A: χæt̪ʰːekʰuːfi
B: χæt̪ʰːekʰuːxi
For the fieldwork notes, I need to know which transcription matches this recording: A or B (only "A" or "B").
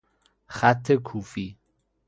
A